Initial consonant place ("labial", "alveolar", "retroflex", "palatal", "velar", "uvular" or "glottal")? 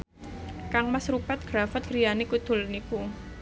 velar